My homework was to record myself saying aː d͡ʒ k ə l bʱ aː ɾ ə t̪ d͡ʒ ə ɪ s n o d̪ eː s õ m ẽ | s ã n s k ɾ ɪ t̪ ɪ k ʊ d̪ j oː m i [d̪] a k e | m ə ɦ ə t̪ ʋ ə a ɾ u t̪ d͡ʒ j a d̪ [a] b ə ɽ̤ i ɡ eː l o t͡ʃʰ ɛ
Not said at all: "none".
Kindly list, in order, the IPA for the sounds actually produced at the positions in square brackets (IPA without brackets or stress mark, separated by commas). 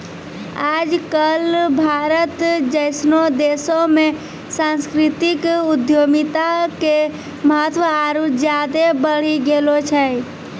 t̪, e